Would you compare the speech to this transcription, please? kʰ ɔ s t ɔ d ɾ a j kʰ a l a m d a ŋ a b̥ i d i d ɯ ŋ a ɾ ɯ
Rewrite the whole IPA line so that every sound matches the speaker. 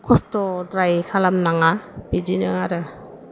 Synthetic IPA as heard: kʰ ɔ s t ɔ d ɾ a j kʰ a l a m n a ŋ a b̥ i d i n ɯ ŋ a ɾ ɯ